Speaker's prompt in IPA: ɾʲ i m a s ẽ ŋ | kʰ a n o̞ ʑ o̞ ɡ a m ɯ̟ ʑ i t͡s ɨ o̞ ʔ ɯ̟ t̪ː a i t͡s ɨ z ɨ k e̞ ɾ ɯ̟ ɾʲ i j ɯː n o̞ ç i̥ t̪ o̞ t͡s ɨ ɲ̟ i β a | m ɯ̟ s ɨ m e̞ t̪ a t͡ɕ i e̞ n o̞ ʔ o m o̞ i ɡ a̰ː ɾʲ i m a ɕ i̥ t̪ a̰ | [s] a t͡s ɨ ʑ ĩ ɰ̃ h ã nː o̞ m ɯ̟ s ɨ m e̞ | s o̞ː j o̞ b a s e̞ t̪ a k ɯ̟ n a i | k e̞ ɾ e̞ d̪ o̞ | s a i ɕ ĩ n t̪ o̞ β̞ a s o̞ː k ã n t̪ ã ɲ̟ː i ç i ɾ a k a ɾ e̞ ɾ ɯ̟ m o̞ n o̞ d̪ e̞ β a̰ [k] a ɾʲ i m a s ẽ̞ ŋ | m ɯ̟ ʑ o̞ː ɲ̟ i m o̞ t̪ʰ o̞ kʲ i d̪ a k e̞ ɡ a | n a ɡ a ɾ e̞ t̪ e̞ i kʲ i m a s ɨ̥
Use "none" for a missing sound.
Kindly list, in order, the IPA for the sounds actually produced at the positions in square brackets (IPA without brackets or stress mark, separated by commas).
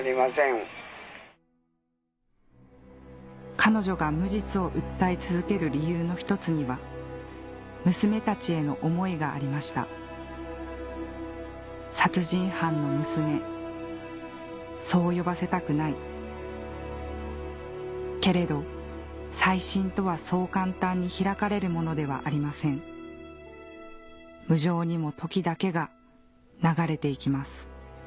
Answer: s, ʔ